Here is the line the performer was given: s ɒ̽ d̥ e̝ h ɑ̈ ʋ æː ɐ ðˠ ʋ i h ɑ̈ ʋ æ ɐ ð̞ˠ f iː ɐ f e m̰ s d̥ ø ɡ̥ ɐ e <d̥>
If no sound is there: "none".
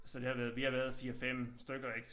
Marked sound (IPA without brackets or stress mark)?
ɡ̥